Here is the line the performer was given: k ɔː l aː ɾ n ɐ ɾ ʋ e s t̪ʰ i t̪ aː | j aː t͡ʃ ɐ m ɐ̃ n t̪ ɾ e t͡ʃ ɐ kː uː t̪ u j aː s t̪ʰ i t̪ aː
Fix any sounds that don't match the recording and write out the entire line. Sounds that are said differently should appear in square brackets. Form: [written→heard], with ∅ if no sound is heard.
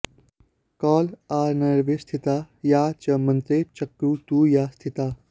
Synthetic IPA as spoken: k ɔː l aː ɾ n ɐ ɾ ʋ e s t̪ʰ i t̪ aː | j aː t͡ʃ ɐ m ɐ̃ n t̪ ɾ e t͡ʃ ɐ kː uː t̪ u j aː s t̪ʰ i t̪ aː

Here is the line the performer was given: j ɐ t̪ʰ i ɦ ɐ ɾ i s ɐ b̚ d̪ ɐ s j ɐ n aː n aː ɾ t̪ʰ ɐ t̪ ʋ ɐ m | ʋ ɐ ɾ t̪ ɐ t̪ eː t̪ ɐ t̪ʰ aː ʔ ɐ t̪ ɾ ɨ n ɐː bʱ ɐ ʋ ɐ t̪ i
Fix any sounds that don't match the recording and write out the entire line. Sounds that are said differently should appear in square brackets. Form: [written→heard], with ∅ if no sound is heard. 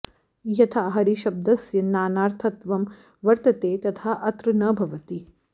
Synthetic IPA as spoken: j ɐ t̪ʰ [i→a] ɦ ɐ ɾ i [s→ʃ] ɐ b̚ d̪ ɐ s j ɐ n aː n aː ɾ t̪ʰ ɐ t̪ ʋ ɐ m | ʋ ɐ ɾ t̪ ɐ t̪ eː t̪ ɐ t̪ʰ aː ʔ ɐ t̪ ɾ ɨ n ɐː bʱ ɐ ʋ ɐ t̪ i

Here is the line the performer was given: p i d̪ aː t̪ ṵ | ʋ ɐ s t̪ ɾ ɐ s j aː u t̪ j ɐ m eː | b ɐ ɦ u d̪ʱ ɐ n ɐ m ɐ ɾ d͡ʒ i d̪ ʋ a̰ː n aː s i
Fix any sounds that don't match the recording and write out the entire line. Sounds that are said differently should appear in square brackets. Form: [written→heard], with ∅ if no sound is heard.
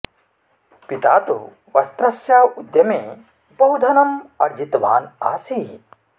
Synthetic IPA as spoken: p i [d̪→t̪] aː t̪ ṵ | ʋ ɐ s t̪ ɾ ɐ s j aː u [t̪→d̪] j ɐ m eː | b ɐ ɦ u d̪ʱ ɐ n ɐ m ɐ ɾ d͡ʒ i [d̪→t̪] ʋ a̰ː n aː s i

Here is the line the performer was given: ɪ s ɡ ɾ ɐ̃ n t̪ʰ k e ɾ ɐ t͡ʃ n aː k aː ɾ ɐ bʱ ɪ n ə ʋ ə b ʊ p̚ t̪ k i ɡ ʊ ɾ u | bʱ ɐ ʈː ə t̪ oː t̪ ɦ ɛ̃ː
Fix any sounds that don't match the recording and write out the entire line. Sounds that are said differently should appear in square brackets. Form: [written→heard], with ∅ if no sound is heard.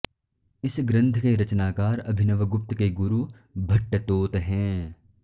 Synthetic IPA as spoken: ɪ s ɡ ɾ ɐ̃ n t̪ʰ k e ɾ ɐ t͡ʃ n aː k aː ɾ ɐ bʱ ɪ n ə ʋ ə [b→ɡ] ʊ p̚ t̪ k [i→e] ɡ ʊ ɾ u | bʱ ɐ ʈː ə t̪ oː t̪ ɦ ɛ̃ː

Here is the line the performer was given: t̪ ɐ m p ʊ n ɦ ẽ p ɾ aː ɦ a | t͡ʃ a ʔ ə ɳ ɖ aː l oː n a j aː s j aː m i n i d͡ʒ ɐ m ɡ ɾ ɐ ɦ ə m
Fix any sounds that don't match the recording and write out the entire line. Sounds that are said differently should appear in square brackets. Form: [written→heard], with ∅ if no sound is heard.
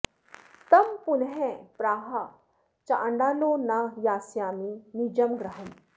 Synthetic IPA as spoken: t̪ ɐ m p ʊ n ɦ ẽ p ɾ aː ɦ a | t͡ʃ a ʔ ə ɳ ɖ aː l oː n a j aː s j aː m i n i d͡ʒ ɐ m ɡ ɾ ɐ ɦ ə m

